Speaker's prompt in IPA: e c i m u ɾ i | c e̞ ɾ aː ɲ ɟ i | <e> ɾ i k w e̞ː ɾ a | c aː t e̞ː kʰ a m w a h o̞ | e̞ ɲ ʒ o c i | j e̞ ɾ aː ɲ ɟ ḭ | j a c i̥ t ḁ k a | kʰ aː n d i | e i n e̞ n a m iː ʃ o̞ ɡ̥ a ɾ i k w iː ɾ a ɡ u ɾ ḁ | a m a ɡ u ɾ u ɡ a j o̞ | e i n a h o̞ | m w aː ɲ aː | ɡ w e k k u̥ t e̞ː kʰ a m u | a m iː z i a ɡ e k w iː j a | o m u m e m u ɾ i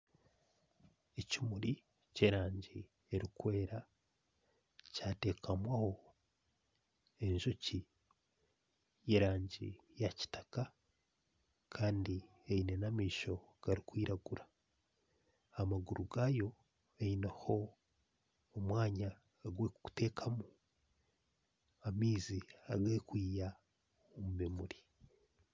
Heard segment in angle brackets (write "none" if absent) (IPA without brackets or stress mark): e